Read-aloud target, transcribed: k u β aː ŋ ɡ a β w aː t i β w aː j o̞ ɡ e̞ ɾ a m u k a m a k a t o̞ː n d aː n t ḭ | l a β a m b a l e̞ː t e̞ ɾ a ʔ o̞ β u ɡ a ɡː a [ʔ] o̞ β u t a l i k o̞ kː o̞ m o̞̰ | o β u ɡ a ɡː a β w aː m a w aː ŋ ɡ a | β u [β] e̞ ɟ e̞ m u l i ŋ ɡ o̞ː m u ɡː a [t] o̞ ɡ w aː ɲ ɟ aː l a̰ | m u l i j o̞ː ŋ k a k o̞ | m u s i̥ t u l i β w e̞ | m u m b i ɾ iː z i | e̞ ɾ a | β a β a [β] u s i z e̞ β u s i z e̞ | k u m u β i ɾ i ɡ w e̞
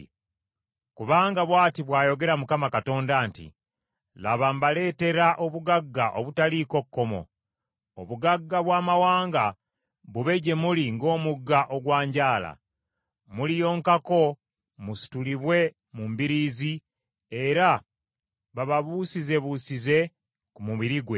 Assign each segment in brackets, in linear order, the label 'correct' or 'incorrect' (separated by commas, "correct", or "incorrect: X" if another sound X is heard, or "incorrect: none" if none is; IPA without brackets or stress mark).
correct, correct, incorrect: ʔ, correct